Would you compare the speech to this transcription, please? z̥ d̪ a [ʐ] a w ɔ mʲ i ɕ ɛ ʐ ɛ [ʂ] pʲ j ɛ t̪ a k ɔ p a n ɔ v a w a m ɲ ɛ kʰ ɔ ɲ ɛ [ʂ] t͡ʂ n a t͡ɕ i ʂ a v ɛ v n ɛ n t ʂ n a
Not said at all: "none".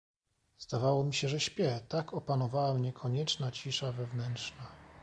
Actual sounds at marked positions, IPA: v, ɕ, none

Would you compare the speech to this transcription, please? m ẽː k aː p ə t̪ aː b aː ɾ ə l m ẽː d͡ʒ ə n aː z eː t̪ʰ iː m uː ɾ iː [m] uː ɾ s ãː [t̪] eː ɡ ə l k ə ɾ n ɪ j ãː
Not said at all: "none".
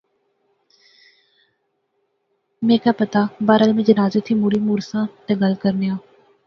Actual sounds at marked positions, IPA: m, t̪

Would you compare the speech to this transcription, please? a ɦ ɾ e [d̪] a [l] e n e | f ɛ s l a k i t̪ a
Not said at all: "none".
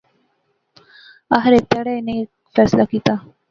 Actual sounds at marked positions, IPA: t̪, ɽ

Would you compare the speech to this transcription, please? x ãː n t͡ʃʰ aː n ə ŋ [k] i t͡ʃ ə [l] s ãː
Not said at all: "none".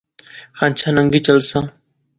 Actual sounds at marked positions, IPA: ɡ, l

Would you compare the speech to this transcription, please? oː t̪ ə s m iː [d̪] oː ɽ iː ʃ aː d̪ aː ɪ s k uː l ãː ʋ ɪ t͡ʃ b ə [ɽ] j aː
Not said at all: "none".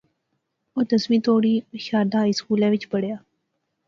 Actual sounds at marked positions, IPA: t̪, ɽ

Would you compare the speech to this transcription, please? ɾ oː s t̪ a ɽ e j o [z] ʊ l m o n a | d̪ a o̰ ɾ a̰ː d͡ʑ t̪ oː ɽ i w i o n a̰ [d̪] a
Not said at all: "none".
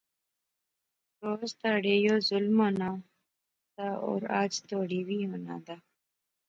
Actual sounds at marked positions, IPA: z, d̪

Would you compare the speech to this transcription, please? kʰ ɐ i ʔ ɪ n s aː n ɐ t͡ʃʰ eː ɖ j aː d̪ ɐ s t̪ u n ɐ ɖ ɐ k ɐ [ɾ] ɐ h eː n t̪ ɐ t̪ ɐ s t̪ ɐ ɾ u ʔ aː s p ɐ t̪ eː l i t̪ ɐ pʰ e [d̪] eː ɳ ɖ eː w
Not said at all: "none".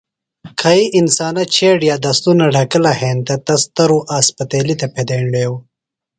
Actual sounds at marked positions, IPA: l, d̪

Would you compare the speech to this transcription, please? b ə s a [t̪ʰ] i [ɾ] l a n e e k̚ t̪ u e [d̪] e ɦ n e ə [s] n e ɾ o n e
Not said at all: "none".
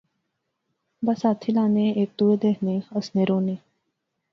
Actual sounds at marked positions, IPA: t̪ʰ, none, d̪, s

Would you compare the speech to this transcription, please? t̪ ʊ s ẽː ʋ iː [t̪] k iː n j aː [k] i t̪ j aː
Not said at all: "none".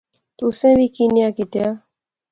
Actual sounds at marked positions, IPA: none, k

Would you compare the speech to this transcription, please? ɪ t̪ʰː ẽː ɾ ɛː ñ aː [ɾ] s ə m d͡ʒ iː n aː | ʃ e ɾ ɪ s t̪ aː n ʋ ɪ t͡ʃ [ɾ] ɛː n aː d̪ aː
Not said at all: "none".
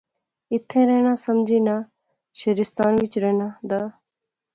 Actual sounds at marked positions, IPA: none, ɾ

